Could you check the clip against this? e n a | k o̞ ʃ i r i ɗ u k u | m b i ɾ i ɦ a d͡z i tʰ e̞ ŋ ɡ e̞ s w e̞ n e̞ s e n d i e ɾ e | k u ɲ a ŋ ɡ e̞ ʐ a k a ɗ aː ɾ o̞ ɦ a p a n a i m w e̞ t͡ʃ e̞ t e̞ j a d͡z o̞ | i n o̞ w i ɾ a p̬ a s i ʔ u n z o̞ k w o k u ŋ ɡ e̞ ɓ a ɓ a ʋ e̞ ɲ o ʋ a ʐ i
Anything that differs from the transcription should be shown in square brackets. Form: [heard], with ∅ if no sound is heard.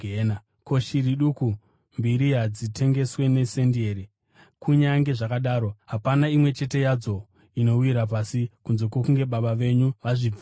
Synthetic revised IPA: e n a | k o̞ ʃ i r i ɗ u k u | m b i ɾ i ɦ a d͡z i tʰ e̞ ŋ ɡ e̞ s w e̞ n e̞ s e n d i e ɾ [i] | k u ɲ a ŋ ɡ e̞ ʐ a k a ɗ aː ɾ o̞ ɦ a p a n a i m w e̞ t͡ʃ e̞ t e̞ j a d͡z o̞ | i n o̞ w i ɾ a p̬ a s i [k] u n z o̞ k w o k u ŋ ɡ e̞ ɓ a ɓ a ʋ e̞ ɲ [u] ʋ a ʐ i